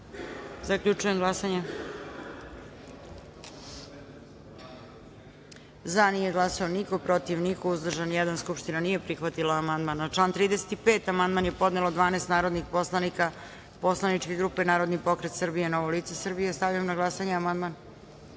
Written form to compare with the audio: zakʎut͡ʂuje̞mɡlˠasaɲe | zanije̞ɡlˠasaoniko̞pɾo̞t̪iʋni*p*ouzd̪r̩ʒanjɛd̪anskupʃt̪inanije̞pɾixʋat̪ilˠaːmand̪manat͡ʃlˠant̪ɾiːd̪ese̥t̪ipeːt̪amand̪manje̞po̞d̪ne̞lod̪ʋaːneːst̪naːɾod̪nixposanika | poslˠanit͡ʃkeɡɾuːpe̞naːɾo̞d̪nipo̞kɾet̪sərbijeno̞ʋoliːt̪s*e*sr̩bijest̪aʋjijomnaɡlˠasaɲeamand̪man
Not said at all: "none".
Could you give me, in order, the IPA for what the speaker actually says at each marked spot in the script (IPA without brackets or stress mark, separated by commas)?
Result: k, e